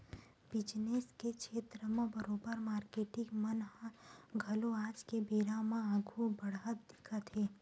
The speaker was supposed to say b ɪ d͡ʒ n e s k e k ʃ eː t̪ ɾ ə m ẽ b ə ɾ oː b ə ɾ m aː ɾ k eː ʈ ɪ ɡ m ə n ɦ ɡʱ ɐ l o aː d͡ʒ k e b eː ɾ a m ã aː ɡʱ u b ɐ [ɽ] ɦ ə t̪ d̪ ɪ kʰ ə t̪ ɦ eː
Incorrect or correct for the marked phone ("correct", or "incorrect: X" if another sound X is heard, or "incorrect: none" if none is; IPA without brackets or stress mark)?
correct